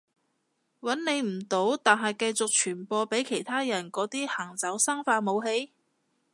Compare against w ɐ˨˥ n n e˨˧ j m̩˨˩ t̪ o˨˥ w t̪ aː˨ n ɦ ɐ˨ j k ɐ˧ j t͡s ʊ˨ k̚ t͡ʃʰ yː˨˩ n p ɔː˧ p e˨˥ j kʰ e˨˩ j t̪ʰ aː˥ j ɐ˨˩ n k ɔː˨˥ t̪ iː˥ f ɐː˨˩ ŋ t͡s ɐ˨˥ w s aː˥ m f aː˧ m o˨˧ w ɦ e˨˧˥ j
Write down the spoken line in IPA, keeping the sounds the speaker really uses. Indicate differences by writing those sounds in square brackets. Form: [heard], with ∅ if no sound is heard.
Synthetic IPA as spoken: w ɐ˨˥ n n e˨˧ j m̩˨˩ t̪ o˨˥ w t̪ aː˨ n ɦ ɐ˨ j k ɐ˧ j t͡s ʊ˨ k̚ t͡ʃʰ yː˨˩ n p ɔː˧ p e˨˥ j kʰ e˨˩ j t̪ʰ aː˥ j ɐ˨˩ n k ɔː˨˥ t̪ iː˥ [h] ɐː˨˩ ŋ t͡s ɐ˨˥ w s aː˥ [ŋ] f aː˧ m o˨˧ w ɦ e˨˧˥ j